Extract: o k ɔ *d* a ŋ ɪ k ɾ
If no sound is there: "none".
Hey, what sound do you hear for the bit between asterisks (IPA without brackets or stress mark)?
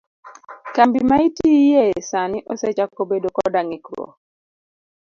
d